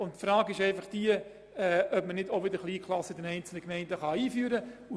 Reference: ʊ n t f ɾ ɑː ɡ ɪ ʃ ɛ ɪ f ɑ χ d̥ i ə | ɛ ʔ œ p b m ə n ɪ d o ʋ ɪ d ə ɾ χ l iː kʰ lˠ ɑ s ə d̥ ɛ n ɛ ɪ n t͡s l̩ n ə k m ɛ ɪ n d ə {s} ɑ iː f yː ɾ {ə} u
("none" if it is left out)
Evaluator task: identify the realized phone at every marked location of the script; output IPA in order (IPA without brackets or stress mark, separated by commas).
χ, ə